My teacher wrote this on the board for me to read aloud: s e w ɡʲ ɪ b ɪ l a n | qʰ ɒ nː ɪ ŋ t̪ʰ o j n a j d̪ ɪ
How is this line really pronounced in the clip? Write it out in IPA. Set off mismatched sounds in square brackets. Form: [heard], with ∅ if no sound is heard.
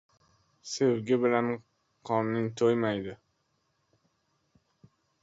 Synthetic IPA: s e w ɡʲ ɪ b ɪ l a n | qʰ ɒ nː ɪ ŋ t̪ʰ o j [m] a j d̪ ɪ